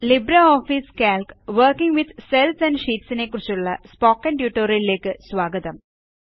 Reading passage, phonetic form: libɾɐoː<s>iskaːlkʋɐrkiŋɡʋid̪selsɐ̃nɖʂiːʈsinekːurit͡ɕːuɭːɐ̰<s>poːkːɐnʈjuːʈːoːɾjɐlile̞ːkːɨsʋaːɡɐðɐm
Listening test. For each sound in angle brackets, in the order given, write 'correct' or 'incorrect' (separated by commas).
incorrect, correct